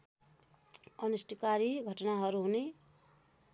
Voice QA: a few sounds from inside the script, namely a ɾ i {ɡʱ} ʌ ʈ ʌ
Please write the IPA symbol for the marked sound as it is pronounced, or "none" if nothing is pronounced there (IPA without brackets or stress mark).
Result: ɡʱ